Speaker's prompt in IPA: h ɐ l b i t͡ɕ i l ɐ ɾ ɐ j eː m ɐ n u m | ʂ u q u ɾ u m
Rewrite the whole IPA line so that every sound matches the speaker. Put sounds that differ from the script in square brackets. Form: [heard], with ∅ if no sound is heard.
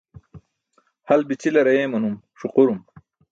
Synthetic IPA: h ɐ l b i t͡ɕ i l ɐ ɾ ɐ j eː m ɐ n u m | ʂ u q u ɾ u m